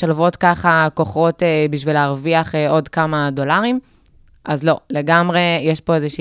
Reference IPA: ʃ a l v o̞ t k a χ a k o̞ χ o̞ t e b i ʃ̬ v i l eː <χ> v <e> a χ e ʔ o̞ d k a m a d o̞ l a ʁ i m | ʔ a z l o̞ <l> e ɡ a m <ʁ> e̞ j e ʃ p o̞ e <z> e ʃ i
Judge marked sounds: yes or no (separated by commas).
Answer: no, no, yes, yes, yes